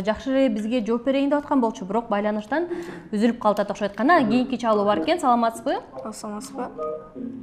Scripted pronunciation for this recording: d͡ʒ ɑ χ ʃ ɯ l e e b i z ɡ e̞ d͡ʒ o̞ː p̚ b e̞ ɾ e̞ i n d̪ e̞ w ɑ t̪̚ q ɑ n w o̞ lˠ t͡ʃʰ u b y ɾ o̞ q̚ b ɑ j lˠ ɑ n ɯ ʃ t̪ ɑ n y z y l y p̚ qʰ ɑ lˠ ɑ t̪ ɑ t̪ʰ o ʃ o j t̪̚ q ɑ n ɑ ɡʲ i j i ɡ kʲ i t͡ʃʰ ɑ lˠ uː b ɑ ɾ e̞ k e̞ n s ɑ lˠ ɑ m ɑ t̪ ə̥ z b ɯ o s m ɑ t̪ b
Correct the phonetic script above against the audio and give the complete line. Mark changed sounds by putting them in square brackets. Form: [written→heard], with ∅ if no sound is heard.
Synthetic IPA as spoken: d͡ʒ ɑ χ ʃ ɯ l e e b i z ɡ e̞ d͡ʒ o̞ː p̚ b e̞ ɾ e̞ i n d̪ e̞ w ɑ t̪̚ q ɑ n [w→b] o̞ lˠ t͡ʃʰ u b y ɾ o̞ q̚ b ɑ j lˠ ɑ n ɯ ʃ t̪ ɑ n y z y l y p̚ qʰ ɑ lˠ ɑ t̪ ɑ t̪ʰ o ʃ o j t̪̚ q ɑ n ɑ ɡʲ i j i [ɡ→ŋ] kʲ i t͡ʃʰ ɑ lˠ uː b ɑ ɾ e̞ k e̞ n s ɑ lˠ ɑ m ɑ t̪ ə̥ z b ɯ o s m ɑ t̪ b